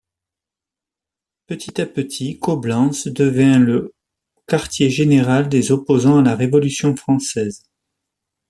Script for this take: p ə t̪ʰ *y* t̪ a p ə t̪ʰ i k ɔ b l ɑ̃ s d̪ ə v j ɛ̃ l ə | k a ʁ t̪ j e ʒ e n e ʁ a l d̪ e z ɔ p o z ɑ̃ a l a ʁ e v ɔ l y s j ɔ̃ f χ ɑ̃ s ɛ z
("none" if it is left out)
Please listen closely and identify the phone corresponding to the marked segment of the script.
i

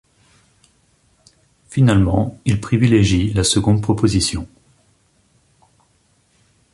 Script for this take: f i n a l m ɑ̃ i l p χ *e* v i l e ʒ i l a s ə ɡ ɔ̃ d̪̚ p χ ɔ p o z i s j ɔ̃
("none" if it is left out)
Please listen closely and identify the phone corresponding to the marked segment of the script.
i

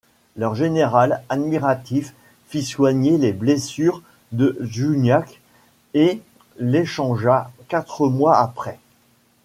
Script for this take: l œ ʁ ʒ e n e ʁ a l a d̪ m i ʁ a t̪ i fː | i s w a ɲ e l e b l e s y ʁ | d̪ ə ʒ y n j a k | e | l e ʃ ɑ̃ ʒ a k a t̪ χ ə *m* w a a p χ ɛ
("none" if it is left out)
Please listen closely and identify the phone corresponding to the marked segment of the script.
m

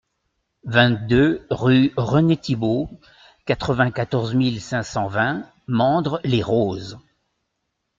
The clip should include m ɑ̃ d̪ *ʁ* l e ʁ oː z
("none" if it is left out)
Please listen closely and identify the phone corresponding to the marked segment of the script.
ʁ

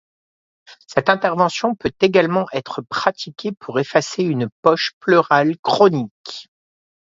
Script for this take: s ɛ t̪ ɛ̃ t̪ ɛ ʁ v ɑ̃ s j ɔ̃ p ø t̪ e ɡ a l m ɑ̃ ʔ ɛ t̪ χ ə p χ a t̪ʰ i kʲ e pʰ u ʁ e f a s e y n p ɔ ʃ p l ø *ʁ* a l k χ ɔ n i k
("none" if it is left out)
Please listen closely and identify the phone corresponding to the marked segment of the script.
ʁ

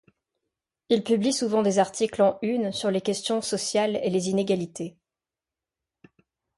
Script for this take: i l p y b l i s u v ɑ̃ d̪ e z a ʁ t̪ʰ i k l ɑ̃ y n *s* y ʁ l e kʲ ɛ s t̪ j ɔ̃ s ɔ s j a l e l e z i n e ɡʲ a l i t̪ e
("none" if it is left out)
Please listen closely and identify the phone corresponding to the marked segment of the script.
s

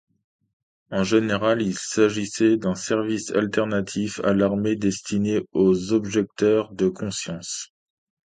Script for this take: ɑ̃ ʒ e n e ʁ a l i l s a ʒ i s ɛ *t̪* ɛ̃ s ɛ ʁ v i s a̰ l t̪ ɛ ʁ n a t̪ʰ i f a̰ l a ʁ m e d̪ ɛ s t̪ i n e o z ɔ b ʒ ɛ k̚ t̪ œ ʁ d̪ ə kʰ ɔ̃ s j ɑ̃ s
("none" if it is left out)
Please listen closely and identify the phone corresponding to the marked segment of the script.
d̪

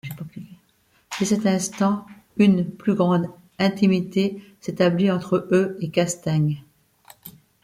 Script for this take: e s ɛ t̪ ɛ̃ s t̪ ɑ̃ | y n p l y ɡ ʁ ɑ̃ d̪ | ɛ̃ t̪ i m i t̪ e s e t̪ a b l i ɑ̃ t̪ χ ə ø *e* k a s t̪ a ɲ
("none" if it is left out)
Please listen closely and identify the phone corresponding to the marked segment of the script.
e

